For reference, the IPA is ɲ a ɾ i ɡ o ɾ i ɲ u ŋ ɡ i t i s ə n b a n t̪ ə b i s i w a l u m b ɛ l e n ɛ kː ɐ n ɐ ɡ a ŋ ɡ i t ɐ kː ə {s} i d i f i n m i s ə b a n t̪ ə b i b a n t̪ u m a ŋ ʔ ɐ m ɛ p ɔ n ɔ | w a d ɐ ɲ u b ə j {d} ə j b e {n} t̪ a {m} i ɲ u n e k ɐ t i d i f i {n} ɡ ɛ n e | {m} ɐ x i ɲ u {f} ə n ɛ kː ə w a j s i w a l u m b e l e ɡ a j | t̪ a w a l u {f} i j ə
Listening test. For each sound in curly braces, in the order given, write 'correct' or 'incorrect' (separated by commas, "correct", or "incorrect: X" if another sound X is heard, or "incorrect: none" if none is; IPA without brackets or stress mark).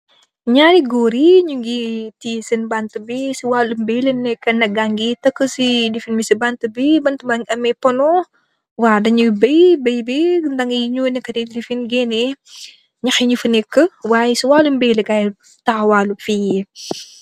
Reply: correct, incorrect: b, correct, incorrect: ŋ, correct, incorrect: ɲ, correct, correct